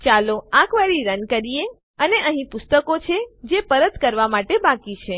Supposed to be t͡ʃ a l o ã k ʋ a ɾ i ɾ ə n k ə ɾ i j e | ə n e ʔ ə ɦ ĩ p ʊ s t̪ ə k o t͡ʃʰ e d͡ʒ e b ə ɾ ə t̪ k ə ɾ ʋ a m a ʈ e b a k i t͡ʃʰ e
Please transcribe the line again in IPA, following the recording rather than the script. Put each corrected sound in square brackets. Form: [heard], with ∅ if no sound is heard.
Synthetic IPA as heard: t͡ʃ a l o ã k ʋ a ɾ i ɾ ə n k ə ɾ i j e | ə n e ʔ ə ɦ ĩ p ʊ s t̪ ə k o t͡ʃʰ e d͡ʒ e [p] ə ɾ ə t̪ k ə ɾ ʋ a m a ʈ e b a k i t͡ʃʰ e